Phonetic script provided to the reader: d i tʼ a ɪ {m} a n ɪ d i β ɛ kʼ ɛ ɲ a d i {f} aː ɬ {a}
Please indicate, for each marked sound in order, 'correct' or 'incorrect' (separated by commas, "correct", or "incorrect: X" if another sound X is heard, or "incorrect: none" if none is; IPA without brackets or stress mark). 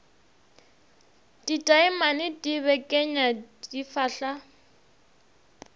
correct, correct, correct